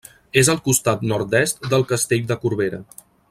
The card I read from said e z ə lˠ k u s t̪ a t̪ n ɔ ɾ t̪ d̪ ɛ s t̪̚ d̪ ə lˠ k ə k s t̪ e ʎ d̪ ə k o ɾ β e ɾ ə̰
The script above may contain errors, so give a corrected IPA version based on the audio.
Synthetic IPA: e z ə lˠ k u s t̪ a t̪ n ɔ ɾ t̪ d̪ ɛ s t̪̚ d̪ ə lˠ k ə s t̪ e ʎ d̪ ə k u ɾ β e ɾ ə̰